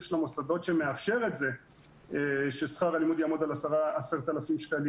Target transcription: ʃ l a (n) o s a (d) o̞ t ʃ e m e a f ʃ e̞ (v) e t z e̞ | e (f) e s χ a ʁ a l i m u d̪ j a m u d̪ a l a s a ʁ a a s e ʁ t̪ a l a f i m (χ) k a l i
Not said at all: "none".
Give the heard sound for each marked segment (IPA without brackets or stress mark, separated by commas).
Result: m, d, ʁ, ʃ, ʃ